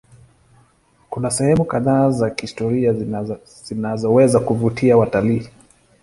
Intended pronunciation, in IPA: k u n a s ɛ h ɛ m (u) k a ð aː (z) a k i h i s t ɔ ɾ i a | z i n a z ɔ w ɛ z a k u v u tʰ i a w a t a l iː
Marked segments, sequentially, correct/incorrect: correct, correct

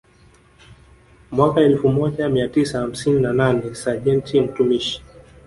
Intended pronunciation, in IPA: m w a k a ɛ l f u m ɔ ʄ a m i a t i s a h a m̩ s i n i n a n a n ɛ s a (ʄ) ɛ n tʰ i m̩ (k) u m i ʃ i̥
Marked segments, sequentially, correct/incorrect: correct, incorrect: t

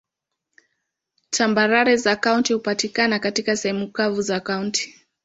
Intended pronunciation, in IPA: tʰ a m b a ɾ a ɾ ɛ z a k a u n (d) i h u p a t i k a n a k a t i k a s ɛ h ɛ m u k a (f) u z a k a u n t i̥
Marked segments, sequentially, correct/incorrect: incorrect: t, incorrect: v

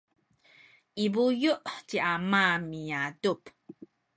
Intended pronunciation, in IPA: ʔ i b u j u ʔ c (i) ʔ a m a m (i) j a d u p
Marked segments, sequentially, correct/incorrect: correct, correct

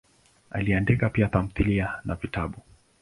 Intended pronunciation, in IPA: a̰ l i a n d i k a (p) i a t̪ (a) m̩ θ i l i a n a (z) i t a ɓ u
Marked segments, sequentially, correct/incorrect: correct, correct, incorrect: v

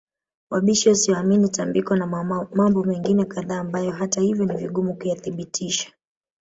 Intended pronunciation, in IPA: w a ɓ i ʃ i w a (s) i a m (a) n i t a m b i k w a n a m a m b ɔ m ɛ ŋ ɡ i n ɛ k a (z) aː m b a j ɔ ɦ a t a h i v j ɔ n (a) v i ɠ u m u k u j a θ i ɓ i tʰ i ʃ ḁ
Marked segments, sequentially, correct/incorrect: correct, incorrect: i, incorrect: ð, incorrect: i

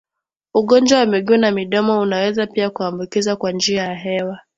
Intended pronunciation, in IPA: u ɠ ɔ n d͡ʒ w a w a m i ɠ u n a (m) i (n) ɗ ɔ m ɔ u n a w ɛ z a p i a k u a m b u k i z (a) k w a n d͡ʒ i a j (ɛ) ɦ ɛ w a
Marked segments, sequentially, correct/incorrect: correct, incorrect: none, correct, incorrect: a

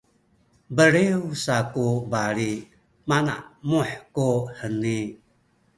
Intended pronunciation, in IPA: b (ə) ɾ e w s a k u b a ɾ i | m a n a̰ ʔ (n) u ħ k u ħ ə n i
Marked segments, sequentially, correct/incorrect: correct, incorrect: m

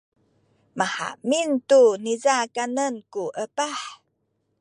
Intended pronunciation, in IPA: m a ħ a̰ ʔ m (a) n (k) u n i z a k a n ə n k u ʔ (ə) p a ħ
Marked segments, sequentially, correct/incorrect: incorrect: i, incorrect: t, correct

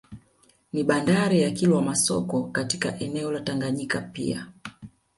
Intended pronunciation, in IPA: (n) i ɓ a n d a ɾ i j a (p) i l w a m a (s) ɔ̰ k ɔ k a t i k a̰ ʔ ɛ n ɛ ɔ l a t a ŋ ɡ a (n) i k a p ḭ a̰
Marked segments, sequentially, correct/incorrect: correct, incorrect: k, correct, incorrect: ɲ

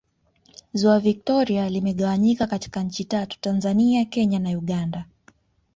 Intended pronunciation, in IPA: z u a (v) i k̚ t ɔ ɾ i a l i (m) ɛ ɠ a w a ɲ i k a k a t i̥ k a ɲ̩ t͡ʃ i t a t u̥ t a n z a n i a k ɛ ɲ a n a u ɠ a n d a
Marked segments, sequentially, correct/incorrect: correct, correct

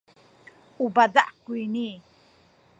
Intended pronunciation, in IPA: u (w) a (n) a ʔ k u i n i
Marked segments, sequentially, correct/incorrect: incorrect: b, incorrect: d

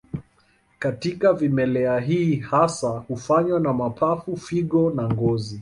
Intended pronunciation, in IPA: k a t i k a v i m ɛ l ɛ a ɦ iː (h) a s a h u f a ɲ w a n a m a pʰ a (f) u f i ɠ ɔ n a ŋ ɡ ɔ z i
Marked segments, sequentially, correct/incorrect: correct, correct

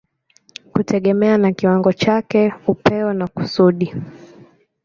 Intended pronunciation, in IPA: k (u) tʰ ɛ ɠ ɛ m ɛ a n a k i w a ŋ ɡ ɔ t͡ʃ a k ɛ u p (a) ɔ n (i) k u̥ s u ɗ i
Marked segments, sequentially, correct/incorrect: correct, incorrect: ɛ, incorrect: a

